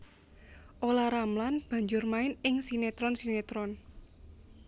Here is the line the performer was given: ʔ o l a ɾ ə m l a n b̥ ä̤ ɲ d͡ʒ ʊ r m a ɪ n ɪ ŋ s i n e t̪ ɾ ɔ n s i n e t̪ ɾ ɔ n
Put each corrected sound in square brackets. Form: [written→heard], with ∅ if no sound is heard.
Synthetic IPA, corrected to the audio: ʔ o l a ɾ [ə→a] m l a n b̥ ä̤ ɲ d͡ʒ ʊ r m a ɪ n ɪ ŋ s i n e t̪ ɾ ɔ n s i n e t̪ ɾ ɔ n